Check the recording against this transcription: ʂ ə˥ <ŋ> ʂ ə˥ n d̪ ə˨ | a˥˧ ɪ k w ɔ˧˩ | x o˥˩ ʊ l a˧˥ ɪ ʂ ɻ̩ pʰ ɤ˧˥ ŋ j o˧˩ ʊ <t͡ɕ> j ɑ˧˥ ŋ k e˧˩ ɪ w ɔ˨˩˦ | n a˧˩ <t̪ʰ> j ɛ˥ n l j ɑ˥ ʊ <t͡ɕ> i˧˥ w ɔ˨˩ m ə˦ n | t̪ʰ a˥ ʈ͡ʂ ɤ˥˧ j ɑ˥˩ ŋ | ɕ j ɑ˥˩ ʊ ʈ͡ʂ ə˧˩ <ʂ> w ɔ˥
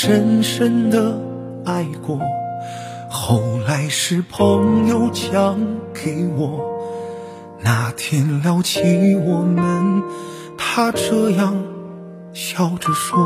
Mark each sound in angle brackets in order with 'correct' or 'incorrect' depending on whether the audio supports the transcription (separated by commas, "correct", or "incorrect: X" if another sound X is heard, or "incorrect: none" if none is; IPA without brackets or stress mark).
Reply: incorrect: n, incorrect: t͡ɕʰ, correct, incorrect: t͡ɕʰ, correct